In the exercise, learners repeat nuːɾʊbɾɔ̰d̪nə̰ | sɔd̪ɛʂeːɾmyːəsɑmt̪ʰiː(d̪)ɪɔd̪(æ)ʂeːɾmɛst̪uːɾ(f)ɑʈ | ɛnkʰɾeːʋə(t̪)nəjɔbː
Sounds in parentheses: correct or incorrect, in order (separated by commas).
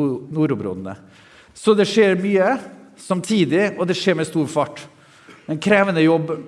correct, incorrect, correct, incorrect